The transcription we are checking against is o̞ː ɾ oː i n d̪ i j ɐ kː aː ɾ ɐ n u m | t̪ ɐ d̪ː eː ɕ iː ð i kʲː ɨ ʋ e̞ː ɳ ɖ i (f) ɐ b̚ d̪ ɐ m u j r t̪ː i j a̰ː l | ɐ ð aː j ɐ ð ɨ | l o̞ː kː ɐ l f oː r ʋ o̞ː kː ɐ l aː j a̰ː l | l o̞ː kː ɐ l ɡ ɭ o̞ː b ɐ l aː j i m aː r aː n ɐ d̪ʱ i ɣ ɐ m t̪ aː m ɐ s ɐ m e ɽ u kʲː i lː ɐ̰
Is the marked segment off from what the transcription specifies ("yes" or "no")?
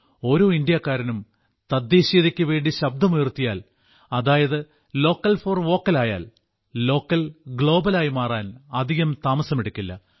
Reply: yes